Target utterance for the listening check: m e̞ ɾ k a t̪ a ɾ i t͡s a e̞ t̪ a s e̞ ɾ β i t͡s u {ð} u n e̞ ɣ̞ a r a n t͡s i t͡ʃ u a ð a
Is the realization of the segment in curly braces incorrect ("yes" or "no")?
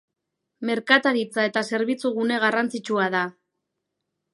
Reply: yes